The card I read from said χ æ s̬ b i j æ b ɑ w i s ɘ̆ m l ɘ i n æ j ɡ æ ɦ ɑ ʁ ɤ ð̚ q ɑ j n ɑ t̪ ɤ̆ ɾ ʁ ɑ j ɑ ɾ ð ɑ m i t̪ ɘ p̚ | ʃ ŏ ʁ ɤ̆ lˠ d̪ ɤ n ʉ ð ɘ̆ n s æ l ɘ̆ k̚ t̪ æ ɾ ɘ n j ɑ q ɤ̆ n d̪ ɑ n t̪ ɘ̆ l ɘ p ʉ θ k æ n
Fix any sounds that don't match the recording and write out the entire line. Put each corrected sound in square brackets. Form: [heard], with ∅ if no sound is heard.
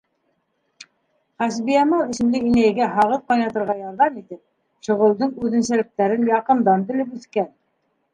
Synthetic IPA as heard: χ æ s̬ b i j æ [m] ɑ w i s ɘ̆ m l ɘ i n æ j ɡ æ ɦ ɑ ʁ ɤ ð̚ q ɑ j n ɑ t̪ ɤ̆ ɾ ʁ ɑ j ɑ ɾ ð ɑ m i t̪ ɘ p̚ | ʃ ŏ ʁ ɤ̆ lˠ d̪ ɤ [ɴ] ʉ ð ɘ̆ n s æ l ɘ̆ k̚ t̪ æ ɾ ɘ n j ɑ q ɤ̆ n d̪ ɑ n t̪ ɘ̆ l ɘ p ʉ θ k æ n